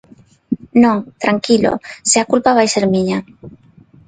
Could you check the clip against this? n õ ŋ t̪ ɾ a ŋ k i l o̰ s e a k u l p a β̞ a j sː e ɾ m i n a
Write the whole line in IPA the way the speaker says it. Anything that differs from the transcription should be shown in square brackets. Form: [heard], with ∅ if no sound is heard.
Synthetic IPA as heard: n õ ŋ t̪ ɾ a ŋ k i l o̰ s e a k u l p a β̞ a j [s] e ɾ m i [ɲ] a